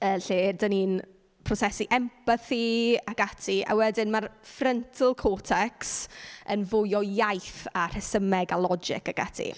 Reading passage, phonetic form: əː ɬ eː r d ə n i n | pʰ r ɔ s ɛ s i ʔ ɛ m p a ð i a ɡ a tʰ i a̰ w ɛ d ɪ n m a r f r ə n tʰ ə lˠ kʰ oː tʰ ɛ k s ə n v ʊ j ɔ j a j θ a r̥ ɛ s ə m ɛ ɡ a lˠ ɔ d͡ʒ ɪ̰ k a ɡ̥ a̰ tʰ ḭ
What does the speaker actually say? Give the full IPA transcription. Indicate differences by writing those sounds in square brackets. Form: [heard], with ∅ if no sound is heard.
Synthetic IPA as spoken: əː ɬ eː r d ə n i n | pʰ r ɔ s ɛ s i ʔ ɛ m p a [θ] i a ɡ a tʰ i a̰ w ɛ d ɪ n m a r f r ə n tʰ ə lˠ kʰ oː tʰ ɛ k s ə n v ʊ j ɔ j a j θ a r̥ ɛ s ə m ɛ ɡ a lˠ ɔ d͡ʒ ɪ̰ k a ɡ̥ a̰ tʰ ḭ